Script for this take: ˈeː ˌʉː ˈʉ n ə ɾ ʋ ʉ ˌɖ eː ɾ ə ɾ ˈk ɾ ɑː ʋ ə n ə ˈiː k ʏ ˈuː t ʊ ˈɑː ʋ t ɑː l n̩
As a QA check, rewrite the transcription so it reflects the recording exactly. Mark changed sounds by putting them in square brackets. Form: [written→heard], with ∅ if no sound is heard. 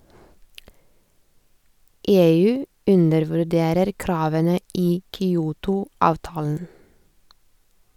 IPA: ˈeː ˌʉː ˈʉ n ə ɾ ʋ ʉ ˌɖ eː ɾ ə ɾ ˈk ɾ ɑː ʋ ə n ə ˈiː k ʏ ˈuː t ʊ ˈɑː ʋ t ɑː l n̩